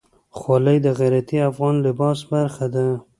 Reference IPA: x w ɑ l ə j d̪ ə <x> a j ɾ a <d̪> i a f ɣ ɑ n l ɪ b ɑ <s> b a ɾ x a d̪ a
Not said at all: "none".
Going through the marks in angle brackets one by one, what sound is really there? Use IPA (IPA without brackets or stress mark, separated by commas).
ɣ, t̪, s